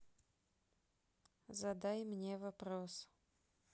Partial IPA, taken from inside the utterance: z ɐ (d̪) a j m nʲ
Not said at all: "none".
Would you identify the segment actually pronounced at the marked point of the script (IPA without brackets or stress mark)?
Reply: d̪